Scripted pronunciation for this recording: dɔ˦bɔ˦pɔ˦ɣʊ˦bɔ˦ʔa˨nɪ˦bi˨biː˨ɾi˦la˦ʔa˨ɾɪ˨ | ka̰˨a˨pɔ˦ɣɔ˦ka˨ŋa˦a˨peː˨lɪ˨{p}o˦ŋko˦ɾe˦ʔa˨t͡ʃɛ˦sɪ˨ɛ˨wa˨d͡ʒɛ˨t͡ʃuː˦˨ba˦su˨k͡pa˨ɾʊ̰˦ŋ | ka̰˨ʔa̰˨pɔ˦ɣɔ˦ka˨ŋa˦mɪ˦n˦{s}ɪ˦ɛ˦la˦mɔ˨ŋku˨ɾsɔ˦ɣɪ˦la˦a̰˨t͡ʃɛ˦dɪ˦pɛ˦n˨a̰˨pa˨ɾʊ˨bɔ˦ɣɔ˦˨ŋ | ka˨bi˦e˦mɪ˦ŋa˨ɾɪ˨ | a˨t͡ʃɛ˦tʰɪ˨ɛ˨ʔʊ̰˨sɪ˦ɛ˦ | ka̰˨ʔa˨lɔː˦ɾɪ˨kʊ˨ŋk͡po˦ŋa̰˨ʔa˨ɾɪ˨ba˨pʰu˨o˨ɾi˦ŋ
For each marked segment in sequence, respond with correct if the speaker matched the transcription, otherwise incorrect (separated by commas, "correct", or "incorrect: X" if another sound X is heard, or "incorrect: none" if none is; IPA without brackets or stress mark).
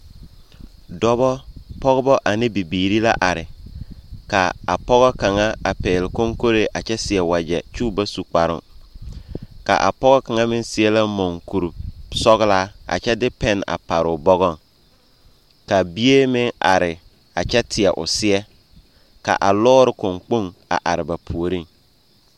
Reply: incorrect: k, correct